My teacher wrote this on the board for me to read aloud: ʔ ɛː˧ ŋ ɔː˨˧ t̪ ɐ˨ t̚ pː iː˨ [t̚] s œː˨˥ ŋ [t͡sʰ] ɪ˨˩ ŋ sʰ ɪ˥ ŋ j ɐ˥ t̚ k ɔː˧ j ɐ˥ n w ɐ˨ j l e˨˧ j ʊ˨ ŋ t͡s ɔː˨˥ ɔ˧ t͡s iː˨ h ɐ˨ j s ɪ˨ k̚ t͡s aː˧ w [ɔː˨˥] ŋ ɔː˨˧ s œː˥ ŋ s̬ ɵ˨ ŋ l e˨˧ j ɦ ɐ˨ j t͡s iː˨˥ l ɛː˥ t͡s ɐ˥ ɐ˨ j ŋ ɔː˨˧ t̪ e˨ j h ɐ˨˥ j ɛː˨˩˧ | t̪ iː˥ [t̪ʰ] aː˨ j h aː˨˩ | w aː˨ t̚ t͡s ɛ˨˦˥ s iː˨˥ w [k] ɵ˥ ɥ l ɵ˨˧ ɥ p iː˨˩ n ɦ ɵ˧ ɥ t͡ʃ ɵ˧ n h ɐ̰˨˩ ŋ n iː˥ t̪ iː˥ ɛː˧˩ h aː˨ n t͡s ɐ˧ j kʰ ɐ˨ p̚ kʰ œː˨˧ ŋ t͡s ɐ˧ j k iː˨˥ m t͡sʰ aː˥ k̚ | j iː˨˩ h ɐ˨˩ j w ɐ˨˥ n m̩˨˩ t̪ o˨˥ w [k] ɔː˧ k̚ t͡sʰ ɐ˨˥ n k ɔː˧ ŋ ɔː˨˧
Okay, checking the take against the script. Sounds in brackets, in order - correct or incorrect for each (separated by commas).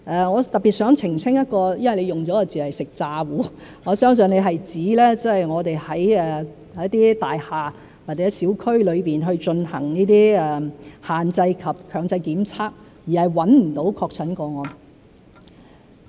correct, correct, incorrect, incorrect, incorrect, incorrect